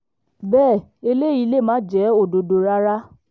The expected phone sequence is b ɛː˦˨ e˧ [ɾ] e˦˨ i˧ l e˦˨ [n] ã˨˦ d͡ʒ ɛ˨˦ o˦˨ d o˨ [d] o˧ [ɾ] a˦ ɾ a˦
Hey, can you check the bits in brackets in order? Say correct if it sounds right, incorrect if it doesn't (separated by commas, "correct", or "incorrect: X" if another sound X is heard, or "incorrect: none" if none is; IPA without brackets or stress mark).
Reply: incorrect: l, incorrect: m, correct, correct